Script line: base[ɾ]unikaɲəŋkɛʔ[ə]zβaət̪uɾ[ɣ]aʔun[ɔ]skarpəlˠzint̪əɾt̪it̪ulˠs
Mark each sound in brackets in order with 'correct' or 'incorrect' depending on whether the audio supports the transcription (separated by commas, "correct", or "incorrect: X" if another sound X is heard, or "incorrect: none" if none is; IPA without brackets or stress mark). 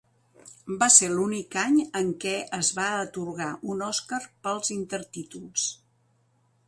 incorrect: l, correct, correct, correct